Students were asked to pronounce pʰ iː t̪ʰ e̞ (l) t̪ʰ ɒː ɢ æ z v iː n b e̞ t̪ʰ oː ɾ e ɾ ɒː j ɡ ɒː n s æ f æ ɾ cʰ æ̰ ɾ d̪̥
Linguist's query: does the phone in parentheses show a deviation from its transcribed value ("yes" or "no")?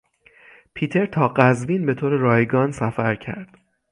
yes